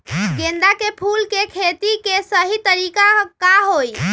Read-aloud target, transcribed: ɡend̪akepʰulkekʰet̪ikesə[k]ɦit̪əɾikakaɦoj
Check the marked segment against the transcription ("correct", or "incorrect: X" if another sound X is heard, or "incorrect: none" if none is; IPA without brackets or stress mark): incorrect: none